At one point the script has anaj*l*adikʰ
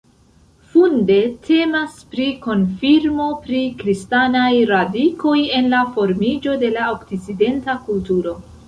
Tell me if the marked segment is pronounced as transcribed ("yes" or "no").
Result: no